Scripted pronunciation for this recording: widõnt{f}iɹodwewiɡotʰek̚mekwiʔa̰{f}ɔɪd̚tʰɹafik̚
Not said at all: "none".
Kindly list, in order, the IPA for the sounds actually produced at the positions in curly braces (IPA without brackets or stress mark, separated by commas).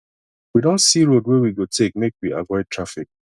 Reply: s, v